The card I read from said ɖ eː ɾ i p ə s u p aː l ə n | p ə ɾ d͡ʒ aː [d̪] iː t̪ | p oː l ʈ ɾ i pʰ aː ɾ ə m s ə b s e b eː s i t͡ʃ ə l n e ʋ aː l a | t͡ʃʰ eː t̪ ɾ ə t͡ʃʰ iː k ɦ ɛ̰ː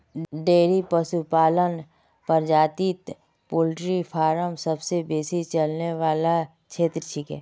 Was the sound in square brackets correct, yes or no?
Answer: no